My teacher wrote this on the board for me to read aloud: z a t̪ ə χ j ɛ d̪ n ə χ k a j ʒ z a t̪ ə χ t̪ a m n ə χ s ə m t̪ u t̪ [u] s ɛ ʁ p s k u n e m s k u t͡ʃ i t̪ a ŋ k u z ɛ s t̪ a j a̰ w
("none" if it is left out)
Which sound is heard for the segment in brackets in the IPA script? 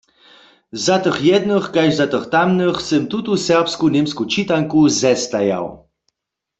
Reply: u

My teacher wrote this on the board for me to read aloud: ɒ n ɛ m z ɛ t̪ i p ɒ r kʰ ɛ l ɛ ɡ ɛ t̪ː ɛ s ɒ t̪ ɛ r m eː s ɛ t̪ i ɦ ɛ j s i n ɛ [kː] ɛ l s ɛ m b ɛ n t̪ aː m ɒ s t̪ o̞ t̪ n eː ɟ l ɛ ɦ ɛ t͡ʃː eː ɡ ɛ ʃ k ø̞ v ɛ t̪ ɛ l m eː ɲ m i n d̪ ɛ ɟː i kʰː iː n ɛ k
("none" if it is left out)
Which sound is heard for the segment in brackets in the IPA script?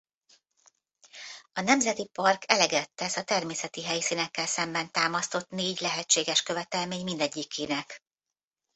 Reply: kː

